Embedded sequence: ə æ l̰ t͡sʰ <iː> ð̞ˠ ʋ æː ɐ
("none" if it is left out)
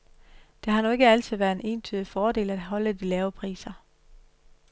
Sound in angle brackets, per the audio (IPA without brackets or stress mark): i